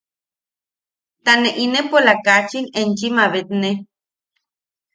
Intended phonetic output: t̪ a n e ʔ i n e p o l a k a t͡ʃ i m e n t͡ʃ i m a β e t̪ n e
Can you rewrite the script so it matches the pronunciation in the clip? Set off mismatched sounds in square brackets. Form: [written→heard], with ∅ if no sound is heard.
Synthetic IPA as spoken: t̪ a n e ʔ i n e p o l a k a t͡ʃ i [m→n] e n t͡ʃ i m a β e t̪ n e